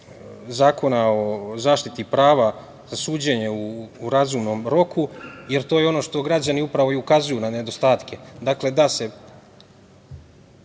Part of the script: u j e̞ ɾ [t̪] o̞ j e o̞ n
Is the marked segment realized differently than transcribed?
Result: no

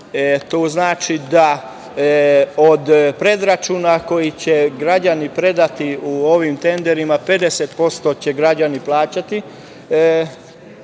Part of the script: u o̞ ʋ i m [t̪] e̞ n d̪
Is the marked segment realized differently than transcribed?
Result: no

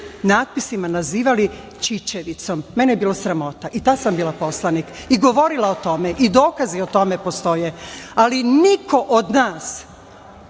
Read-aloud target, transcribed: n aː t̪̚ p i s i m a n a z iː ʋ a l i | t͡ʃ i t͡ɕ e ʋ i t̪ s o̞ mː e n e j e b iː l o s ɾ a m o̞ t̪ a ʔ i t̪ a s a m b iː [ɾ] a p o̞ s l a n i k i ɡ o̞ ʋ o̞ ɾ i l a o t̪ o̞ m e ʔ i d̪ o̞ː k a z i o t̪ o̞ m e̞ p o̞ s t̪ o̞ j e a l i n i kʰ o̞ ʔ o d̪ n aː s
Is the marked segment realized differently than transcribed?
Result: yes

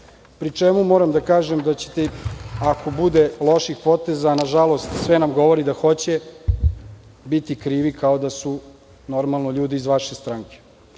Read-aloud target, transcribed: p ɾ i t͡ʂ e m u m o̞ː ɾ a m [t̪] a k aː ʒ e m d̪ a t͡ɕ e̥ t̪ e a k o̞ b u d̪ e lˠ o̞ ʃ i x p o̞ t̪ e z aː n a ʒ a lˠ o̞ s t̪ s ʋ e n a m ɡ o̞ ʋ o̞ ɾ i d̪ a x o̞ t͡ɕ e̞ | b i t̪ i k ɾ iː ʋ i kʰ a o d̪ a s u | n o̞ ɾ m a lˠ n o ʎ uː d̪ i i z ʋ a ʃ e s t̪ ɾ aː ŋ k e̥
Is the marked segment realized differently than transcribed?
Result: yes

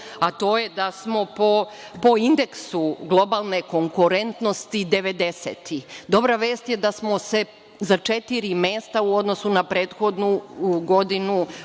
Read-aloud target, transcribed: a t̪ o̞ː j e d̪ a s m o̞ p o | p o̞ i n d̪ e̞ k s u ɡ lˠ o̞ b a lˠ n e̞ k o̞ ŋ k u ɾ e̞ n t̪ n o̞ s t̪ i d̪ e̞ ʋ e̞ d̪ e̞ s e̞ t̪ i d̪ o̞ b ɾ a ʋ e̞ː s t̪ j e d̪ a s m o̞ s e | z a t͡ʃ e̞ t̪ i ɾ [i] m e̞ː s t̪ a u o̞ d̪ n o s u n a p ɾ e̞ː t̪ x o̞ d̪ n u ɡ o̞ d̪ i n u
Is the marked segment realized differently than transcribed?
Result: no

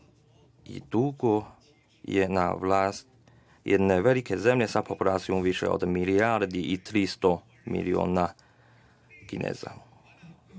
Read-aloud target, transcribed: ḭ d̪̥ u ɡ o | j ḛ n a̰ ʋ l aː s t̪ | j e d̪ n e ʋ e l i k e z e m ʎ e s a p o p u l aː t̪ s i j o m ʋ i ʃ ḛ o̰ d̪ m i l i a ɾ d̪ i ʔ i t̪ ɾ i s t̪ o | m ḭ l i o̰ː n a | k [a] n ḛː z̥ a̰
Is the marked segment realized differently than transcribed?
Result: yes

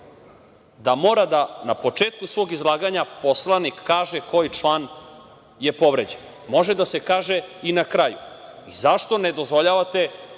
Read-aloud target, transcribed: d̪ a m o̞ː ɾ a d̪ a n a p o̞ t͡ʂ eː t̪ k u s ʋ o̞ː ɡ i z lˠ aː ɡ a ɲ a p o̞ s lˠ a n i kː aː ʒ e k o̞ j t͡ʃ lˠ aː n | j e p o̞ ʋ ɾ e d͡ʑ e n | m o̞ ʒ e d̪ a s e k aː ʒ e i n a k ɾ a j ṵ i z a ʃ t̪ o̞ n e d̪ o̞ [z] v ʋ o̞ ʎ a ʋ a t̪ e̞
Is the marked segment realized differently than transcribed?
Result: no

